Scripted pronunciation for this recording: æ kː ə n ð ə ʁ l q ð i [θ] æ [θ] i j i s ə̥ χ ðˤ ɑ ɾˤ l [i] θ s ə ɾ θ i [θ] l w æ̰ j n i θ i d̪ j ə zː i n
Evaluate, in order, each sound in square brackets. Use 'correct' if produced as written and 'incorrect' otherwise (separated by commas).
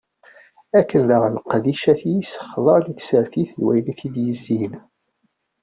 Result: incorrect, correct, correct, correct